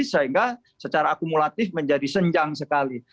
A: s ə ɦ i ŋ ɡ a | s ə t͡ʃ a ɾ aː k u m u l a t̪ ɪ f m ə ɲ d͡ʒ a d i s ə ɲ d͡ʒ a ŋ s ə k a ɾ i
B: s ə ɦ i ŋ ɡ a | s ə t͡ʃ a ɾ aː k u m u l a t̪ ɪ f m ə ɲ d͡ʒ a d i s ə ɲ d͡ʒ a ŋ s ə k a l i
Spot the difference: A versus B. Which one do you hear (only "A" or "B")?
B